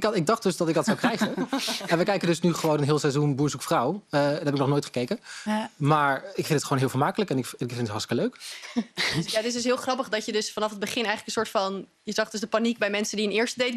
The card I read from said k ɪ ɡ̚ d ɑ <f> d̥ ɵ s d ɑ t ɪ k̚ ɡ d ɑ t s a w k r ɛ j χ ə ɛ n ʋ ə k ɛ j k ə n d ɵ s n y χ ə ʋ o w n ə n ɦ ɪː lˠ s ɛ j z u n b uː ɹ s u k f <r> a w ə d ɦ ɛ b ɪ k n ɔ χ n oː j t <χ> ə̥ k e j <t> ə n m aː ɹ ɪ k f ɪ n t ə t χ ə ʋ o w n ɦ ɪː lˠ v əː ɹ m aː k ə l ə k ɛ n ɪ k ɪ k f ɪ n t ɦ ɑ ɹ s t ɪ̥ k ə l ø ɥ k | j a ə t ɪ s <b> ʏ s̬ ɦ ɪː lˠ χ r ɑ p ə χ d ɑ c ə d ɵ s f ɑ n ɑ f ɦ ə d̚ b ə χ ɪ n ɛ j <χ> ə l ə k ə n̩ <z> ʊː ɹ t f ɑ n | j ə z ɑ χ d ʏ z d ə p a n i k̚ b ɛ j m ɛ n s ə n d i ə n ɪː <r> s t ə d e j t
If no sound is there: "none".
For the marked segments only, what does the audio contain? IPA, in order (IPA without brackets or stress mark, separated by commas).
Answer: χ, r, χ, k, d, χ, s, ɹ